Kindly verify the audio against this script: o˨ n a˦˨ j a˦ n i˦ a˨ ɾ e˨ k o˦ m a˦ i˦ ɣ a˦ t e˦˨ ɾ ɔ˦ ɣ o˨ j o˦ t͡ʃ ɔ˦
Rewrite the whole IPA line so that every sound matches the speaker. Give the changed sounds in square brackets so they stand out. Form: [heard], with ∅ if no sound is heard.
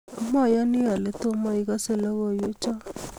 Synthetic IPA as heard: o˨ [m] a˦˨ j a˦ n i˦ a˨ [l] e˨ [t] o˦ m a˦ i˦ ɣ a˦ [s] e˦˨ [l] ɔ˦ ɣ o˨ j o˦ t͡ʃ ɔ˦